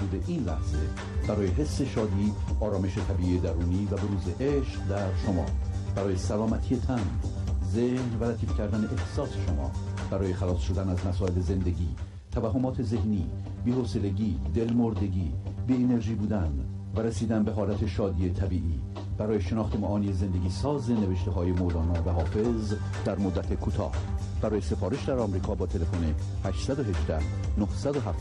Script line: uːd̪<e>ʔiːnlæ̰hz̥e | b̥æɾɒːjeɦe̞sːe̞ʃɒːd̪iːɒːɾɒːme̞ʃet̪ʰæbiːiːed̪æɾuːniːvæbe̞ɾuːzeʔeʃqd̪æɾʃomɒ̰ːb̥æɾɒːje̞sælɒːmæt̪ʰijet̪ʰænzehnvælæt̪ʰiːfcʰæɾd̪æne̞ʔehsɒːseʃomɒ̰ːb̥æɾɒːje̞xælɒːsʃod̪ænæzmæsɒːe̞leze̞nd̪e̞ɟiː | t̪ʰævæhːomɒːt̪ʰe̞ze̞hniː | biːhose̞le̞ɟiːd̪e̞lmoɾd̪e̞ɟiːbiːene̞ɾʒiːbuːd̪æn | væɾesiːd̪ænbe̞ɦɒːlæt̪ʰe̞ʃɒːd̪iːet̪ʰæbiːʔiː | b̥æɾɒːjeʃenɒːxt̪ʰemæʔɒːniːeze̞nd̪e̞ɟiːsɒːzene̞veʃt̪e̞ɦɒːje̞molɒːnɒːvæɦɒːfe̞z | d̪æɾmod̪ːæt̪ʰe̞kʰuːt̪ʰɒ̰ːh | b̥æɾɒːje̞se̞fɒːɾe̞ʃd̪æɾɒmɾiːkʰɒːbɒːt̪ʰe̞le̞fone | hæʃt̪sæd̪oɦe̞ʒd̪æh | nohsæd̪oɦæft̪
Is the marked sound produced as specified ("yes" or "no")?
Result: yes